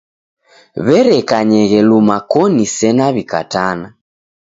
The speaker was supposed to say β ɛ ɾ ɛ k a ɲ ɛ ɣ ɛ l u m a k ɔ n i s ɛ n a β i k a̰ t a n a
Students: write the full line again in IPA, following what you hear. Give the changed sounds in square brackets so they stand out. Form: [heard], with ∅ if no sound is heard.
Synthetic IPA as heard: β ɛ ɾ ɛ k a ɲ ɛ ɣ ɛ l u m a k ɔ n i s ɛ n a β i k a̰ t a n a